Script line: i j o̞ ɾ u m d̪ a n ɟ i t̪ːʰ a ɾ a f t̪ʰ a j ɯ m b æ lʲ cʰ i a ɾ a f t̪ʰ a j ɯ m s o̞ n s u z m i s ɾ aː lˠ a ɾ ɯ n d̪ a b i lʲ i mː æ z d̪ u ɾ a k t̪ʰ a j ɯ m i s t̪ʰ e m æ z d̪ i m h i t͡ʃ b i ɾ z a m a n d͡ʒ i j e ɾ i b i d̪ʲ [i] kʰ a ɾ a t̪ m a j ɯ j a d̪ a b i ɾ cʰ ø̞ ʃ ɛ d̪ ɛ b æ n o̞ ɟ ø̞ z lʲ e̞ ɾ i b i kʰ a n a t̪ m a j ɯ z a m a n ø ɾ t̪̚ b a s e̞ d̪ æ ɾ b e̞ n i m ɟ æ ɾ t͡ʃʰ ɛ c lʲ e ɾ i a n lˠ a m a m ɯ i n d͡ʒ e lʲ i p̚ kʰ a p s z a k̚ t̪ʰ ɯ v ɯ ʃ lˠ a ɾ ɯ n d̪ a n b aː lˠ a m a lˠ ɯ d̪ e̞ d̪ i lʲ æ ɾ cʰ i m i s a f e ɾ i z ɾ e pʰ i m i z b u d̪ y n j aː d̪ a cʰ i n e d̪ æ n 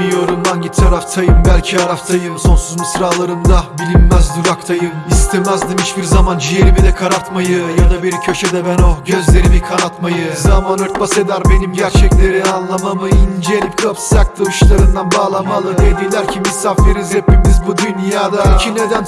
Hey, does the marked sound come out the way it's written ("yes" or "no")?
no